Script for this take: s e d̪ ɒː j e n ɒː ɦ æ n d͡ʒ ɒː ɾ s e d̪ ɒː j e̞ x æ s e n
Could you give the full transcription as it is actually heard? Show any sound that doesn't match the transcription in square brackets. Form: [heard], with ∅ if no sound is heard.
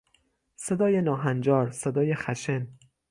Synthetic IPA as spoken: s e d̪ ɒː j e n ɒː ɦ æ n d͡ʒ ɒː ɾ s e d̪ ɒː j e̞ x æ [ʃ] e n